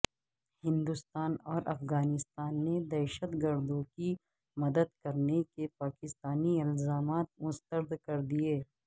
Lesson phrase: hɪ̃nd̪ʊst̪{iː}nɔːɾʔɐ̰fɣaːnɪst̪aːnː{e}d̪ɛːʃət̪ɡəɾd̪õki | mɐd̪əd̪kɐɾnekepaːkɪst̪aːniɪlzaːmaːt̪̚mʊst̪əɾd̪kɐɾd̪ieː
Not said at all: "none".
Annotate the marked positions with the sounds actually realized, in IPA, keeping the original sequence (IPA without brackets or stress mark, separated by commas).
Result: aː, e